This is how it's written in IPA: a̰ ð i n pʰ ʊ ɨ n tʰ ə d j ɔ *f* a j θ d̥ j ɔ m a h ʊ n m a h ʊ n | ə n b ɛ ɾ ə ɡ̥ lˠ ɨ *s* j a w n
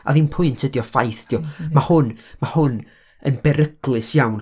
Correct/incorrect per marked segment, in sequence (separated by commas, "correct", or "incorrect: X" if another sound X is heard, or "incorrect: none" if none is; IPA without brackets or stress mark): correct, correct